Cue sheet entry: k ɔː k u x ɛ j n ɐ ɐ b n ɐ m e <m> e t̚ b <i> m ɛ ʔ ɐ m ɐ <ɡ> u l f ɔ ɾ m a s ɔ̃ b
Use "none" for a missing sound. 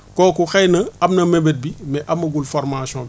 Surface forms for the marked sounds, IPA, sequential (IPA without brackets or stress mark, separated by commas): b, i, ɡ